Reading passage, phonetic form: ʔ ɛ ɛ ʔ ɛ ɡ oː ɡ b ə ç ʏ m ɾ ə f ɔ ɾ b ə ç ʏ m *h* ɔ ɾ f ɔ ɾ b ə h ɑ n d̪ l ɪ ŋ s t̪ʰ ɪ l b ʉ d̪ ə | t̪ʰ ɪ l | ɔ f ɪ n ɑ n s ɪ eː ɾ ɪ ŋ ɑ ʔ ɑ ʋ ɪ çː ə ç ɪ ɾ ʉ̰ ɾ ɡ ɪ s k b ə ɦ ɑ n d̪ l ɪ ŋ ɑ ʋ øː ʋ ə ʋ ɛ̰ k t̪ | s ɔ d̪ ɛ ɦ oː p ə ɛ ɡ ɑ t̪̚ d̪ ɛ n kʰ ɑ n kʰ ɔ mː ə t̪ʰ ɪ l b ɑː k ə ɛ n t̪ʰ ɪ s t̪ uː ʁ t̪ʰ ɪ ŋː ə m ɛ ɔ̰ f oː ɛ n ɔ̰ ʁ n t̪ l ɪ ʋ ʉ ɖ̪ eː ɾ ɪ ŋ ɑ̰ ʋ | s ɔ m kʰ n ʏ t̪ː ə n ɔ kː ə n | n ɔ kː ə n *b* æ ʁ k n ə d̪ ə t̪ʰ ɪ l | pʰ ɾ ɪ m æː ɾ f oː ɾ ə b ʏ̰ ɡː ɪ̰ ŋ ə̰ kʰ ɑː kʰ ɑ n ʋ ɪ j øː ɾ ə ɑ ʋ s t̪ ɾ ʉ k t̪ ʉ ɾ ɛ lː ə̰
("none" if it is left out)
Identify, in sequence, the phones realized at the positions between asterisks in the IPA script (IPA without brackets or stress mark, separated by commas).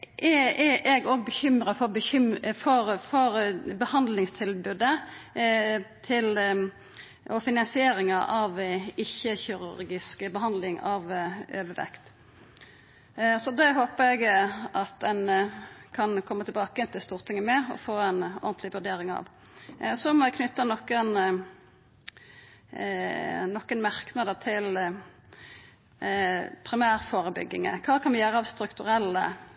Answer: f, m